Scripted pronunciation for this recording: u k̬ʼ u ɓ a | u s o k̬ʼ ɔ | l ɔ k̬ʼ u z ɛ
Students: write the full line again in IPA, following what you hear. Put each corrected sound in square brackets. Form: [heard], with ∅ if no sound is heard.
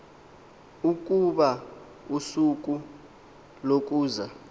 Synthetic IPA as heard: u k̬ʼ u ɓ a | u s [u] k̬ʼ [u] | l [o] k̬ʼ [uː] z [a]

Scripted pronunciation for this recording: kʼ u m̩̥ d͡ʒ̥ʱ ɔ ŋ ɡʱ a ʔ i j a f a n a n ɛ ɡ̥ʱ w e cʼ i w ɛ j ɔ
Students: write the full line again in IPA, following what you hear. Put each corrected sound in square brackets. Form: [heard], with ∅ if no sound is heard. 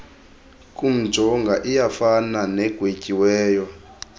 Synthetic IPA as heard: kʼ u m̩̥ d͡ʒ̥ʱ ɔ ŋ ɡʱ a ʔ i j a f a n a n ɛ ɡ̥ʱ w e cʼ i w [ɛː] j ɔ

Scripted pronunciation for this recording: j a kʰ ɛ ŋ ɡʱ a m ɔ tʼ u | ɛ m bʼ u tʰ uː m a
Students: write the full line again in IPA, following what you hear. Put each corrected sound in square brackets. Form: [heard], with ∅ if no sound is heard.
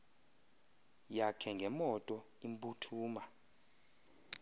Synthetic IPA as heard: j a kʰ ɛ ŋ ɡʱ [ɛ] m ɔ tʼ [ɔ] | [i] m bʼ u tʰ uː m a

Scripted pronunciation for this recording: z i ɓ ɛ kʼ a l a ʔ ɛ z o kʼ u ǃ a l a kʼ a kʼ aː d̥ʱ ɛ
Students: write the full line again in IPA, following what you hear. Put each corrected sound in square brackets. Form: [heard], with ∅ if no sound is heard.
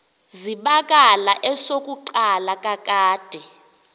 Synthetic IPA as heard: z i ɓ [a] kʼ a l a ʔ ɛ [s] o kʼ u ǃ a l a kʼ a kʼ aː d̥ʱ ɛ

